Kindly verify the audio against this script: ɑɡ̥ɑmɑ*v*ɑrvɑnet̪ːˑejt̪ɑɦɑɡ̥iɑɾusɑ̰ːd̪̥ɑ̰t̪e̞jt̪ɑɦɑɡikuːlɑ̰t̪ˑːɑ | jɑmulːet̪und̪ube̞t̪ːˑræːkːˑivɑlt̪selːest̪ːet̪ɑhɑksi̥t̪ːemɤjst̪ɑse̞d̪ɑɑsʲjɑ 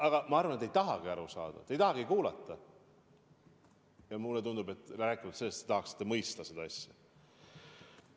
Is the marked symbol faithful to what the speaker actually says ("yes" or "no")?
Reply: no